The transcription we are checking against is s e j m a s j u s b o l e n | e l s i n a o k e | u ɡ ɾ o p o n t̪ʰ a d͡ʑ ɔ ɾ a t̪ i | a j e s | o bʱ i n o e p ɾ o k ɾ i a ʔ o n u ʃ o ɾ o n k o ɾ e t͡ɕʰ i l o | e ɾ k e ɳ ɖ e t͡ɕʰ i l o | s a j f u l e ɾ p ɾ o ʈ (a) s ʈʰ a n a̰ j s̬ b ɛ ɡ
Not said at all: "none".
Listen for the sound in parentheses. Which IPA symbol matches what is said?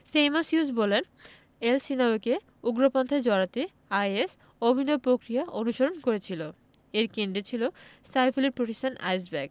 e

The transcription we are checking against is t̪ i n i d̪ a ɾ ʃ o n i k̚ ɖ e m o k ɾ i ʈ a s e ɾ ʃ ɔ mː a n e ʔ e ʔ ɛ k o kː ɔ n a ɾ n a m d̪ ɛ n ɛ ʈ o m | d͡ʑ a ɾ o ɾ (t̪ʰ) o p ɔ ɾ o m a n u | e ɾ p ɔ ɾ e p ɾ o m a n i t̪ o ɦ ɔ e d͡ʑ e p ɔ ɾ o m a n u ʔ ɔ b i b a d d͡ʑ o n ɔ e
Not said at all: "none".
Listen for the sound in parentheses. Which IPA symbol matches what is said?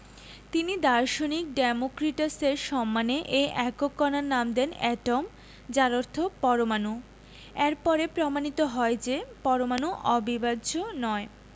t̪ʰ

